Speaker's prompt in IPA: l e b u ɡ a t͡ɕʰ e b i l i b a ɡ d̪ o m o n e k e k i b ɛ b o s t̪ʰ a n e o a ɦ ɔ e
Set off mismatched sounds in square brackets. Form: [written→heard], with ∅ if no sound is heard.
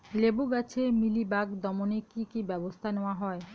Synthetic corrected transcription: l e b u ɡ a t͡ɕʰ e [b→m] i l i b a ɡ d̪ [o→ɔ] m o n e k [e→i] k i b ɛ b o s t̪ʰ a n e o a ɦ ɔ e